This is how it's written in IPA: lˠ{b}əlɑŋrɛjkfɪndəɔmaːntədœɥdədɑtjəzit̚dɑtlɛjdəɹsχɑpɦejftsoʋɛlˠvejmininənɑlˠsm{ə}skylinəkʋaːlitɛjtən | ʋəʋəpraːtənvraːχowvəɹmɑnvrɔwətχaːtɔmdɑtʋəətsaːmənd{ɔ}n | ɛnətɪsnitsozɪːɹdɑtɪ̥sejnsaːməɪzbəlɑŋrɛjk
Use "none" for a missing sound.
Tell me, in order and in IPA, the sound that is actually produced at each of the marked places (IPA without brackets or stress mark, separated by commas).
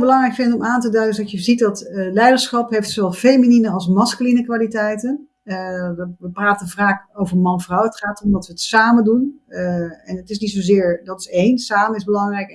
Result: b, ɑ, u